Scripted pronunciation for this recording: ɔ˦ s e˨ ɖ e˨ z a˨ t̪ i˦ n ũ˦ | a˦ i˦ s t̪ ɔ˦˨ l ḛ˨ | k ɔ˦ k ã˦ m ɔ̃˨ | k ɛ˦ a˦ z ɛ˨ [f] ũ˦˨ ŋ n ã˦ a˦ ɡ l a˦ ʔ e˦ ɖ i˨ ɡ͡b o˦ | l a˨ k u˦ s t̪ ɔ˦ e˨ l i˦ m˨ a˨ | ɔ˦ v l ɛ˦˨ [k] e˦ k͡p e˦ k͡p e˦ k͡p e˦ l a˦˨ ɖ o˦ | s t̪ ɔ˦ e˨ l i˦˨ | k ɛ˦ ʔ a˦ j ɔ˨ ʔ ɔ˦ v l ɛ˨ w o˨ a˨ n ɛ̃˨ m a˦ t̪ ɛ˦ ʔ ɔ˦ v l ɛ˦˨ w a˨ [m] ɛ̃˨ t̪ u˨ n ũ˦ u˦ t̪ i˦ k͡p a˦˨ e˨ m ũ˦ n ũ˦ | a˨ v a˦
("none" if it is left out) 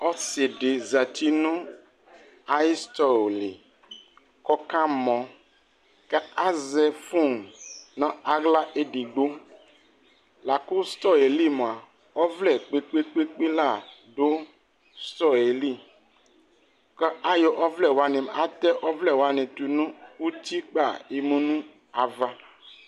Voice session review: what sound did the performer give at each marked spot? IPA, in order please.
f, k͡p, n

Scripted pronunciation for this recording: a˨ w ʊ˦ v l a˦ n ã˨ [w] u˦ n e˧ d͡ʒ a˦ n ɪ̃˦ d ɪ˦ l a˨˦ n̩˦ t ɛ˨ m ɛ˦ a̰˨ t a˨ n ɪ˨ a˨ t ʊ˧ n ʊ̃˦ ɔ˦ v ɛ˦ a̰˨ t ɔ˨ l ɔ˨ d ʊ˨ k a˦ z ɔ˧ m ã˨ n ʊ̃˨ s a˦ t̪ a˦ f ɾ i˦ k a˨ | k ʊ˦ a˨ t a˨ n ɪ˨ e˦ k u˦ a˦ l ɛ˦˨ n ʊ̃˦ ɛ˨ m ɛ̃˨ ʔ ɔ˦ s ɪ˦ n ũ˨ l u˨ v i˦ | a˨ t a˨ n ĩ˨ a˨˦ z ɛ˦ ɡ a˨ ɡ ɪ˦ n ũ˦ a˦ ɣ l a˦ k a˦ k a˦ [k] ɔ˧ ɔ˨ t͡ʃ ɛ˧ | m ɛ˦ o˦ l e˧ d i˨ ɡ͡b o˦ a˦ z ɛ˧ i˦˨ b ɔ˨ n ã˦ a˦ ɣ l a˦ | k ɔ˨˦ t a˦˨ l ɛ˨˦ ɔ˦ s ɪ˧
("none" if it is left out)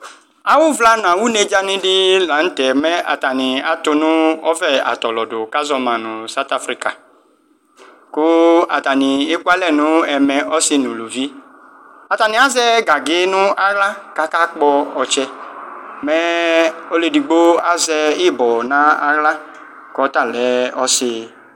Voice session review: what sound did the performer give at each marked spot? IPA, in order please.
w, k͡p

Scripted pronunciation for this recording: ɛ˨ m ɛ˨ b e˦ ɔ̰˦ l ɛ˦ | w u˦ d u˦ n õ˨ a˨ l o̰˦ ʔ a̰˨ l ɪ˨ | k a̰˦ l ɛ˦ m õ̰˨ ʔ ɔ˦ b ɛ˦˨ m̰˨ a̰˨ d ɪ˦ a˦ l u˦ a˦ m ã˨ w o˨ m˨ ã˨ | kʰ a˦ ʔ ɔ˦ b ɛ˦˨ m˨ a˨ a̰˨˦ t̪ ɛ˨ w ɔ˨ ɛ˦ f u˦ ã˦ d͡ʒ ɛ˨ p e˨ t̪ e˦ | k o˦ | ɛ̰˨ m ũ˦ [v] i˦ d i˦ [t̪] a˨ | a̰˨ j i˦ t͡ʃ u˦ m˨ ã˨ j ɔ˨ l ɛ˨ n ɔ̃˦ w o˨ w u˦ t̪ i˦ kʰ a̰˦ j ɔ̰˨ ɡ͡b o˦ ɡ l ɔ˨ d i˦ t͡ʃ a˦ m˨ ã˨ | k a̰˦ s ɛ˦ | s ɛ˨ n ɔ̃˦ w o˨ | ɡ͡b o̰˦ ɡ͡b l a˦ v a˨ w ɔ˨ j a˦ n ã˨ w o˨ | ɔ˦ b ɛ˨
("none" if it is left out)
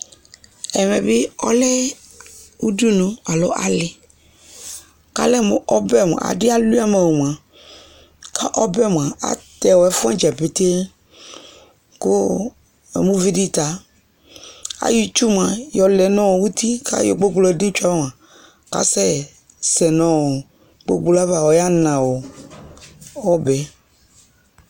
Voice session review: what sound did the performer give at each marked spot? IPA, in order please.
v, t̪

